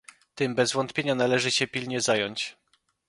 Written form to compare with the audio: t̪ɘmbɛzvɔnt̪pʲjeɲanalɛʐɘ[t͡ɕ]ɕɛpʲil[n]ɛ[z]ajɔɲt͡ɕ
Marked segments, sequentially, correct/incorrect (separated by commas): incorrect, incorrect, correct